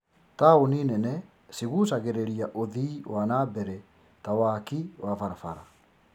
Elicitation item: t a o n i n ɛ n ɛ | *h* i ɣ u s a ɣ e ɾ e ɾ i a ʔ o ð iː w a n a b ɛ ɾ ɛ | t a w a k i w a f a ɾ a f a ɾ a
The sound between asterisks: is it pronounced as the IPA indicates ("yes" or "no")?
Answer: no